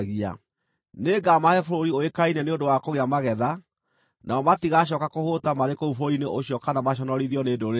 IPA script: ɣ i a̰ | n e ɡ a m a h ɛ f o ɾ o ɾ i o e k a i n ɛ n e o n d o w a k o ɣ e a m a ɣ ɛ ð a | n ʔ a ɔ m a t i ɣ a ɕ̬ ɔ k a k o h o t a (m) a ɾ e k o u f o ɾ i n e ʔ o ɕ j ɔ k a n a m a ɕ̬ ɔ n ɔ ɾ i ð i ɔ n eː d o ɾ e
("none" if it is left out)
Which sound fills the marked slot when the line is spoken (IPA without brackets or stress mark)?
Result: m